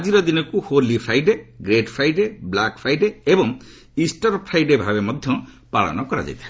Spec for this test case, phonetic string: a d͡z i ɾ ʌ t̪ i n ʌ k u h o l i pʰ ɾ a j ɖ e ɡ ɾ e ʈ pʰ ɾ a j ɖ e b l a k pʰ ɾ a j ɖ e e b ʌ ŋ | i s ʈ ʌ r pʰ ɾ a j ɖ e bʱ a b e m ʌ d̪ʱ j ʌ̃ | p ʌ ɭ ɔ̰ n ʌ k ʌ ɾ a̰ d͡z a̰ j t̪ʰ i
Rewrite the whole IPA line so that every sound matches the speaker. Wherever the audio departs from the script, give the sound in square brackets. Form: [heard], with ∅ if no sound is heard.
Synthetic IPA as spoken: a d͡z i ɾ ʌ [d̪] i n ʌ k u h o l i pʰ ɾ a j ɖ e ɡ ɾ e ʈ pʰ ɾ a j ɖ e b l a k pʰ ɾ a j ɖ e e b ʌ ŋ | i s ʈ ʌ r pʰ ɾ a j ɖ e bʱ a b e m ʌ d̪ʱ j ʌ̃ | p [a] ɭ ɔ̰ n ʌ k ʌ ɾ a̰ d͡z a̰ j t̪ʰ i